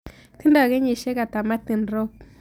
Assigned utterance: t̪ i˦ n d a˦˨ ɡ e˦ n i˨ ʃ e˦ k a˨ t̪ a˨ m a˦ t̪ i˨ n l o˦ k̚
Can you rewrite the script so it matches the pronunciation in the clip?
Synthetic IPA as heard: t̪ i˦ n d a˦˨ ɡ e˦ ɲ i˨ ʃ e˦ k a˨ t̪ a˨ m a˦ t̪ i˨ n ɾ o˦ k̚